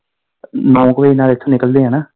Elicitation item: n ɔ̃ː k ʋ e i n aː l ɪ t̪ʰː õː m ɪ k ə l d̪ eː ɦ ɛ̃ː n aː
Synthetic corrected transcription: n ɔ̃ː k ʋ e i n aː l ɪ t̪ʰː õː n ɪ k ə l d̪ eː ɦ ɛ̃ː n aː